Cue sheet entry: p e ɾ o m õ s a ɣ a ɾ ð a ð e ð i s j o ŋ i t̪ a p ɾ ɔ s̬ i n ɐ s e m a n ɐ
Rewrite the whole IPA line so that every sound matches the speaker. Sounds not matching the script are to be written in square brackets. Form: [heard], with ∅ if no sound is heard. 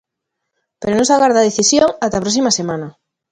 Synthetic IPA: p e ɾ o [n] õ s a ɣ a ɾ ð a ð e [θ] i s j o ŋ [a] t̪ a p ɾ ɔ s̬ i [m] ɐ s e m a n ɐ